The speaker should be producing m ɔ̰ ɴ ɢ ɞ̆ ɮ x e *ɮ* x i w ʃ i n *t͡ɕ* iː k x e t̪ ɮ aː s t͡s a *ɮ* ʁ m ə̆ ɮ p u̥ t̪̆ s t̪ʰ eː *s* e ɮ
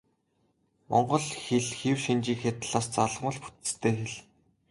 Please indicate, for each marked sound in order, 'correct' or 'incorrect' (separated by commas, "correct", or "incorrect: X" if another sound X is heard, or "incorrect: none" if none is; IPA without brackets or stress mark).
correct, correct, correct, incorrect: x